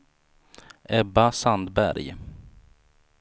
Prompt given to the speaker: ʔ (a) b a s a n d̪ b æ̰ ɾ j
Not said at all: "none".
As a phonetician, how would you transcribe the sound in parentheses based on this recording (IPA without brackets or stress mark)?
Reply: ɛ